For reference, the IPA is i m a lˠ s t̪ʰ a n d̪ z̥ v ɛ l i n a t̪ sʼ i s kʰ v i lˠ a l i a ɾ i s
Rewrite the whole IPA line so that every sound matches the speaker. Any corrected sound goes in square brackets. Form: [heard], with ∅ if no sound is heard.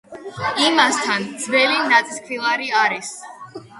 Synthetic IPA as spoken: i m a [∅] s t̪ʰ a n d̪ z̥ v ɛ l i n a t̪ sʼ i s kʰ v i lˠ a [ɾ] i a ɾ i s